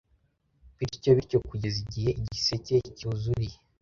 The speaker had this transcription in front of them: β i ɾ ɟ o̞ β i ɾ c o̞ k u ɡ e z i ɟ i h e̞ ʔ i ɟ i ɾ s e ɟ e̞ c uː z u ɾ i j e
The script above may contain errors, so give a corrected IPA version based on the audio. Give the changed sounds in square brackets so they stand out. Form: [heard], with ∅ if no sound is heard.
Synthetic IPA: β i ɾ [c] o̞ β i ɾ c o̞ k u [ɟ] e z i ɟ i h e̞ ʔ i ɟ i [∅] s e [c] e̞ c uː z u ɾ i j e